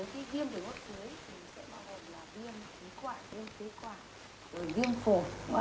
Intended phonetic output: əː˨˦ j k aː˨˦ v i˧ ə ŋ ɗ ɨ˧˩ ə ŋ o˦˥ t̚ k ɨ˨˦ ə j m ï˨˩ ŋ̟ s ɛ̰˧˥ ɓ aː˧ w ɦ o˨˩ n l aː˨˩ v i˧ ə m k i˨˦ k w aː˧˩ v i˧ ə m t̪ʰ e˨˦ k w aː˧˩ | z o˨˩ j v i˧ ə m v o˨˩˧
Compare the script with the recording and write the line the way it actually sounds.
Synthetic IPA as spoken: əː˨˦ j k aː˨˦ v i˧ ə m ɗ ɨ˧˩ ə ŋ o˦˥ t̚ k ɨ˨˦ ə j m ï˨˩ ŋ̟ s ɛ̰˧˥ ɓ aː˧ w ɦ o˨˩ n l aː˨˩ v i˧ ə m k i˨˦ k w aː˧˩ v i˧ ə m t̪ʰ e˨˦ k w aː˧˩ | z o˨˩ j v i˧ ə m f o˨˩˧